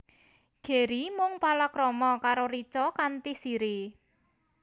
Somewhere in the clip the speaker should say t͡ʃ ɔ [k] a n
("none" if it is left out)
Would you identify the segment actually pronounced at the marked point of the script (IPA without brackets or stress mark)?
k